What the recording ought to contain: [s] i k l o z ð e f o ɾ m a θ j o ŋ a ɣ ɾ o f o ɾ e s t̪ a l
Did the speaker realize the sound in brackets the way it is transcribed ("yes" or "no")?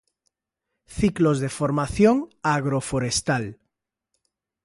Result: no